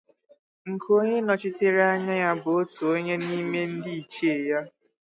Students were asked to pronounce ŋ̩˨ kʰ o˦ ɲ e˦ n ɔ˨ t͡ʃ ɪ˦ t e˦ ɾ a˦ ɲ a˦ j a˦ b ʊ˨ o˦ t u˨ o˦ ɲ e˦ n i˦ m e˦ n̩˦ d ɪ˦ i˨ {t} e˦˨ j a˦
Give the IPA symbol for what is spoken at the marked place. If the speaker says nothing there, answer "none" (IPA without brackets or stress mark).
t͡ʃ